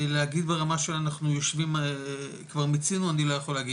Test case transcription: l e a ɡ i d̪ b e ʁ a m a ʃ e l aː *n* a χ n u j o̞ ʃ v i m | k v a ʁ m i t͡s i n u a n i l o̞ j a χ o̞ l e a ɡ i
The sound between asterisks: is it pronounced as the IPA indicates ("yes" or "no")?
yes